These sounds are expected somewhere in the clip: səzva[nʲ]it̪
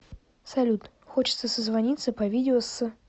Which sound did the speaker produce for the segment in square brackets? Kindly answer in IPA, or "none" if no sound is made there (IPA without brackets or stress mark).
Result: nʲ